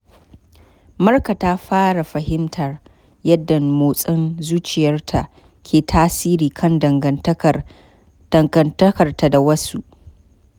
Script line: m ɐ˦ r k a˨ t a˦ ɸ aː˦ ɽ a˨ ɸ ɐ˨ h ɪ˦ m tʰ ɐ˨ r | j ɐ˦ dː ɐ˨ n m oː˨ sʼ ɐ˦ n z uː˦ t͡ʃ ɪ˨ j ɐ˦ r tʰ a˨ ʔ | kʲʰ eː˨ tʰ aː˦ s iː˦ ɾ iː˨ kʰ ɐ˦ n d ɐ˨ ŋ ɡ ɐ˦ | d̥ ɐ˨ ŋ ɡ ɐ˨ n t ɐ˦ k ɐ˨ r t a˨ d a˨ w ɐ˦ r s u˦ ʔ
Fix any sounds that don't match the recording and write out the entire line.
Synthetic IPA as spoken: m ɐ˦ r k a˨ t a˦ ɸ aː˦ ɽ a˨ ɸ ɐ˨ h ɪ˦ m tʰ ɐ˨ r | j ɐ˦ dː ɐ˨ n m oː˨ sʼ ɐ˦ n z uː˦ t͡ʃ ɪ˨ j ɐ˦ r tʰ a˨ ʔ | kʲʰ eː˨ tʰ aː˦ s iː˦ ɾ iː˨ kʰ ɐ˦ n d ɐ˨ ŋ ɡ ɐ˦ | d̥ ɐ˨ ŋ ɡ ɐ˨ n t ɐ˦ k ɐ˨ r t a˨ d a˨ w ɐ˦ s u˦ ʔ